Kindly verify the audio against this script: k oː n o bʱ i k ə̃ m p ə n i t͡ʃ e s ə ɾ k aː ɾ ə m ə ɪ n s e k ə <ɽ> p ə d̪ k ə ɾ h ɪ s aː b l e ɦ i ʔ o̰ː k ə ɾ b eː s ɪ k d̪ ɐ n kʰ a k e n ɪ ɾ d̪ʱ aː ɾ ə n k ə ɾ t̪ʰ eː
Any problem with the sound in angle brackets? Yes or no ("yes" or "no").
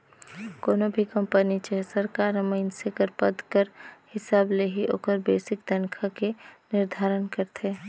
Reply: yes